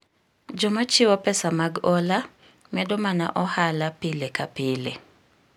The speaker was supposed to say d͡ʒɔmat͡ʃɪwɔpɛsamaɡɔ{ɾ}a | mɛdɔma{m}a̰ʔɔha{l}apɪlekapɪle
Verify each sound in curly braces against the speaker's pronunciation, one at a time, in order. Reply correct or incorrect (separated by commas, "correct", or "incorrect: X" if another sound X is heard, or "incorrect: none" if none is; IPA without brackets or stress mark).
incorrect: l, incorrect: n, correct